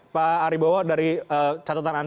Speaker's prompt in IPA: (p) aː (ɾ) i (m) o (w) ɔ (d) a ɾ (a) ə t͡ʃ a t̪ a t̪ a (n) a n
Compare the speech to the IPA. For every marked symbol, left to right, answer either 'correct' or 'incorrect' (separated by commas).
correct, correct, incorrect, correct, correct, incorrect, correct